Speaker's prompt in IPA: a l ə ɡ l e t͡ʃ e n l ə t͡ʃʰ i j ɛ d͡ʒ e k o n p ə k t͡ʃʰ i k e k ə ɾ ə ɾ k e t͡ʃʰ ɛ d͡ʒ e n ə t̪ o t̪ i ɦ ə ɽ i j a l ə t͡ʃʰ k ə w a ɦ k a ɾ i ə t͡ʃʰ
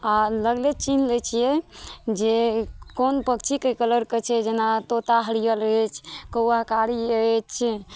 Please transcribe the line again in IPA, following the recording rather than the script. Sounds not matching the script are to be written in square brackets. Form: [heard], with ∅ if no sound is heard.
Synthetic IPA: a l ə ɡ l e t͡ʃ [i] n l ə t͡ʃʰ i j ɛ d͡ʒ e k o n p ə k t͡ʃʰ i k e k ə [l] ə ɾ k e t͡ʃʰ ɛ d͡ʒ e n [a] t̪ o t̪ [a] ɦ ə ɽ i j [ə] l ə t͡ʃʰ k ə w a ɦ k a ɾ i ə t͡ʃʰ